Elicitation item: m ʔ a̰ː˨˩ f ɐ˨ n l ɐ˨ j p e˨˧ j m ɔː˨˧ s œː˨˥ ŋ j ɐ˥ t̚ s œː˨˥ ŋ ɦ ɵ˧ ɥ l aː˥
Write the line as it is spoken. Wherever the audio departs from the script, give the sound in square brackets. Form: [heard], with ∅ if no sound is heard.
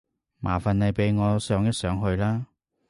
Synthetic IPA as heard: m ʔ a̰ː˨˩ f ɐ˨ n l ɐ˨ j p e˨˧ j [ŋ] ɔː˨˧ s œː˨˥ ŋ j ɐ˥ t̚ s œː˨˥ ŋ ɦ ɵ˧ ɥ l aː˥